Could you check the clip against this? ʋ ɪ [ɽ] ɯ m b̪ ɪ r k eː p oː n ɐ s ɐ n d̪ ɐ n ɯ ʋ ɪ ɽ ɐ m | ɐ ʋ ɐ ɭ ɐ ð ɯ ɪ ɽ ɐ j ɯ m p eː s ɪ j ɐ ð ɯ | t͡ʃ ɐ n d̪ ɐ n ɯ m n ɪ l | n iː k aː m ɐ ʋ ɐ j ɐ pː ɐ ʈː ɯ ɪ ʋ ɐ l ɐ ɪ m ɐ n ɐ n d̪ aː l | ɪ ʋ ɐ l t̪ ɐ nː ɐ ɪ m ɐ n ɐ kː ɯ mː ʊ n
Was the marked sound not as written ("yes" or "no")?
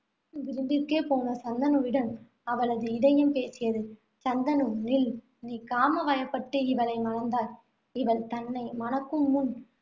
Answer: yes